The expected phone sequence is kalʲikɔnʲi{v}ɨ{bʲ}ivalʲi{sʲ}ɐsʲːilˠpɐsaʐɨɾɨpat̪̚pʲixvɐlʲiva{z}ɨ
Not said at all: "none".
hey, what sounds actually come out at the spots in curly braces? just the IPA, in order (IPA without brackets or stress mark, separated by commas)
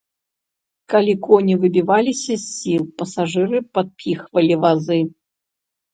v, bʲ, sʲ, z